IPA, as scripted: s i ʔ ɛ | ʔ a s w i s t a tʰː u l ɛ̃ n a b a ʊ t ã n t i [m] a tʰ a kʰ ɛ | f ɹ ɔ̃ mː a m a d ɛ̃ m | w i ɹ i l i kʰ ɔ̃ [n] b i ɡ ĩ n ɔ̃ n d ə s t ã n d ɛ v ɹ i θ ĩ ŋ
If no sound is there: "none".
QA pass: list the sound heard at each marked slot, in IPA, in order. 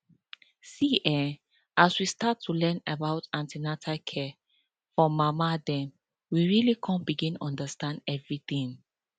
n, n

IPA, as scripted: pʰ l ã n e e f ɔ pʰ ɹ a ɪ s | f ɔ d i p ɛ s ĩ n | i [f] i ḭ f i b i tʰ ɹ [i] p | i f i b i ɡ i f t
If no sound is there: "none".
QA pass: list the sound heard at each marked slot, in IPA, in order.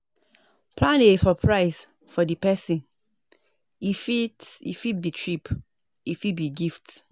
f, i

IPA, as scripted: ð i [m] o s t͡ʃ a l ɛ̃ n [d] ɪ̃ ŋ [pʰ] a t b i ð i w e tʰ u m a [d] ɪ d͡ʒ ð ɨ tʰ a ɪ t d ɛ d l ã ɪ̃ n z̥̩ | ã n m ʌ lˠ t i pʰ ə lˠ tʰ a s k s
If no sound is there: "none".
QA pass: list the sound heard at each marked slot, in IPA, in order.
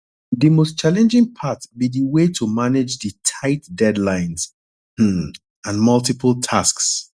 m, d͡ʒ, pʰ, n

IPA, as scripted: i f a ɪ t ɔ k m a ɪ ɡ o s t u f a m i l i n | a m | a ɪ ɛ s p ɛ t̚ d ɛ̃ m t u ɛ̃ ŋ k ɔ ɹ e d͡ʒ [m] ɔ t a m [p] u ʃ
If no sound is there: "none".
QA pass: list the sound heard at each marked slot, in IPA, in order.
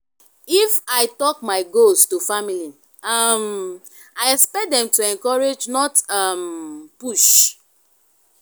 n, p

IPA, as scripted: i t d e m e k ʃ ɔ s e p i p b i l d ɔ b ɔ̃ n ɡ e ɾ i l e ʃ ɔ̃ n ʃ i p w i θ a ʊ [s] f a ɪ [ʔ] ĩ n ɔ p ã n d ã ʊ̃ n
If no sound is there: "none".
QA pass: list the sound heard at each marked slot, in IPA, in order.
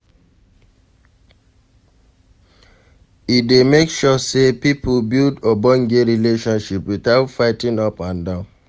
t, t

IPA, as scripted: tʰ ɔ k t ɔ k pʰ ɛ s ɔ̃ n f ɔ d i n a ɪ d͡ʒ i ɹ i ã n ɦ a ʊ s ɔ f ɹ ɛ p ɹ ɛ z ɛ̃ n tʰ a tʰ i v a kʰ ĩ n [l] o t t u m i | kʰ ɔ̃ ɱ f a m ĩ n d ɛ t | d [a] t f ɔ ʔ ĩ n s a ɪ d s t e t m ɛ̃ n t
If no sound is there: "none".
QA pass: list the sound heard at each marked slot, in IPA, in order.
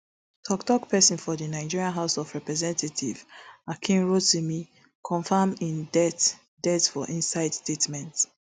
ɹ, ɛ

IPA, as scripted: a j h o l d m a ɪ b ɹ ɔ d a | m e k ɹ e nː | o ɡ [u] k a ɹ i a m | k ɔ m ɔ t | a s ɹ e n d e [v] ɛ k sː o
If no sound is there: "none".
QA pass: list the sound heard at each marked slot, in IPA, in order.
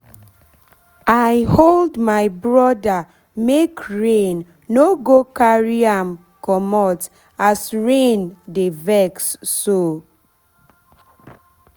o, v

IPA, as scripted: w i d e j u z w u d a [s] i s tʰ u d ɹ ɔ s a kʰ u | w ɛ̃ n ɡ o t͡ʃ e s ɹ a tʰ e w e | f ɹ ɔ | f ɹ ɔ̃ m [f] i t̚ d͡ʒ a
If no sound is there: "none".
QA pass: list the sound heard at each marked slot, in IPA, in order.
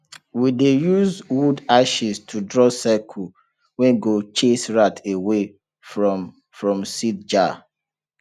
ʃ, s

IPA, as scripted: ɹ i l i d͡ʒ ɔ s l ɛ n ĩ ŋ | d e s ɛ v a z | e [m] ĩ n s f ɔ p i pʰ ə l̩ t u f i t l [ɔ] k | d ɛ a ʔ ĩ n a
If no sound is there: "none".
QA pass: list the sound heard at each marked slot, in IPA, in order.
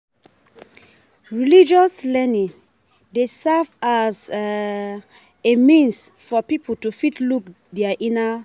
m, u

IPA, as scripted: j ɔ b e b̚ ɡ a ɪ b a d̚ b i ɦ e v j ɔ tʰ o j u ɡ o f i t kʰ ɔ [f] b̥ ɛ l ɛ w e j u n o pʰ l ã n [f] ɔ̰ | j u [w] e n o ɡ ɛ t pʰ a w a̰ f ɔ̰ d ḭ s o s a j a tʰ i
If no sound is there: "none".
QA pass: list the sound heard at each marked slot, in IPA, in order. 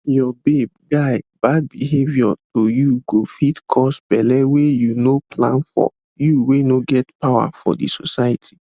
s, f, w

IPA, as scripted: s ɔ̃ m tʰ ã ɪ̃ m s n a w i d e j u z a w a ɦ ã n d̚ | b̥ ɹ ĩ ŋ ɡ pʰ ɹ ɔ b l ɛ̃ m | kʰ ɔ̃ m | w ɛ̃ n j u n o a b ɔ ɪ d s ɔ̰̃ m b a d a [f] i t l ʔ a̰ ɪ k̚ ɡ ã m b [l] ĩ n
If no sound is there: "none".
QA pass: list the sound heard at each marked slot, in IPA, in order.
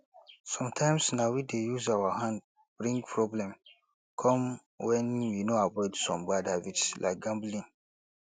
v, l

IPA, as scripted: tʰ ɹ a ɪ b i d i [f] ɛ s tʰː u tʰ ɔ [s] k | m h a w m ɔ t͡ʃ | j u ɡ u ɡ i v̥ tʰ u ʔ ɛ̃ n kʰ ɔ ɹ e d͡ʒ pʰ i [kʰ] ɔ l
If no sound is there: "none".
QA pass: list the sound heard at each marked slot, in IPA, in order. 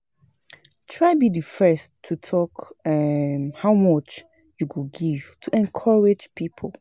f, none, pʰ

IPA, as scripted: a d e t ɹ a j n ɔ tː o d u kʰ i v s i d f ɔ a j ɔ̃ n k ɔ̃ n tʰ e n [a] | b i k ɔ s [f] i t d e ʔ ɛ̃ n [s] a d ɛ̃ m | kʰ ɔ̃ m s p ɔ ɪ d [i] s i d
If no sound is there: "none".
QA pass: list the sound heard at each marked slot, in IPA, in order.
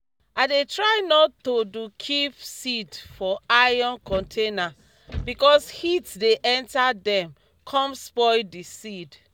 a, h, t, i

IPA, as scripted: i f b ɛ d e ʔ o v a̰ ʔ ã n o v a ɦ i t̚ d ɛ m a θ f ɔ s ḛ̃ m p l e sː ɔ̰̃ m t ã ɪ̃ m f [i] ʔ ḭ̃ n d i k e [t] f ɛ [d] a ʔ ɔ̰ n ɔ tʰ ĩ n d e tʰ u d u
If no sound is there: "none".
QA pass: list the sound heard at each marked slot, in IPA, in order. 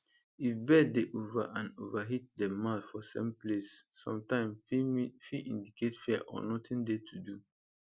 i, t, none

